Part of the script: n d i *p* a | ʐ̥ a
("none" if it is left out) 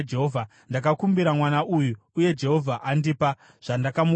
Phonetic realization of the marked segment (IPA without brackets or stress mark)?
p